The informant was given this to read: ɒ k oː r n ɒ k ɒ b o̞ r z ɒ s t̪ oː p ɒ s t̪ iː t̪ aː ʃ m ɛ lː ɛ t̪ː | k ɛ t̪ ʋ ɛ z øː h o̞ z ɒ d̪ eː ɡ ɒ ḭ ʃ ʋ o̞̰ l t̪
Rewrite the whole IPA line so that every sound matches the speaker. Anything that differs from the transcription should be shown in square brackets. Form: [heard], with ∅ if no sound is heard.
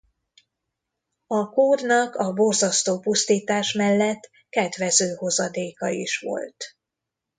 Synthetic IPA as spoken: ɒ k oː r n ɒ k ɒ b o̞ r z ɒ s t̪ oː p [u] s t̪ iː t̪ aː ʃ m ɛ lː ɛ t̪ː | k ɛ [d̪] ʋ ɛ z øː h o̞ z ɒ d̪ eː [k] ɒ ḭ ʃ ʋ o̞̰ l t̪